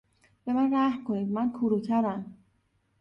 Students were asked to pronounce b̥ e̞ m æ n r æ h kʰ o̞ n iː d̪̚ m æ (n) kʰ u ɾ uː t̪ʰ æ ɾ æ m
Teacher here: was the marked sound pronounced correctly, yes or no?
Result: yes